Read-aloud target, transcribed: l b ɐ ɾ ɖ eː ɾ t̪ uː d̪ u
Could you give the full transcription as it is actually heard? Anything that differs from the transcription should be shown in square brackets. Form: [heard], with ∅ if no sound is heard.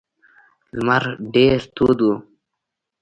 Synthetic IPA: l [m] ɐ ɾ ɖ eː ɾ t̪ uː d̪ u